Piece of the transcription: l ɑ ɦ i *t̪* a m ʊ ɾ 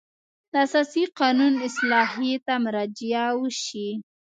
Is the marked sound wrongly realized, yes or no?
no